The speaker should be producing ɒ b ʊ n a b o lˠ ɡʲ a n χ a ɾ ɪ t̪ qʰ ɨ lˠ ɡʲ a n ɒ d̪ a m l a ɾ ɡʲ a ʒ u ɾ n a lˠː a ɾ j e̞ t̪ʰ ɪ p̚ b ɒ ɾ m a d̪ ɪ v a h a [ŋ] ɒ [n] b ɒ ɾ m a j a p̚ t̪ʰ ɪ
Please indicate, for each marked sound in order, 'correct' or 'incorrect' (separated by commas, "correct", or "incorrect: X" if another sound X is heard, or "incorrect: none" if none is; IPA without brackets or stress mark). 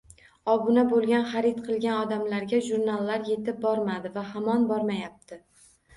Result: incorrect: m, correct